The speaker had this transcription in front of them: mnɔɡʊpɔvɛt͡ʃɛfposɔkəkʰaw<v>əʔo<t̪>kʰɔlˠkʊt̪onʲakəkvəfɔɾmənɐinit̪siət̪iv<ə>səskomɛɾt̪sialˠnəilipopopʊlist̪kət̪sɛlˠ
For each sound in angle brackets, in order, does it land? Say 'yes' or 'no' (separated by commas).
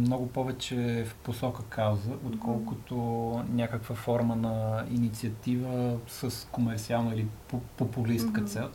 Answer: no, yes, yes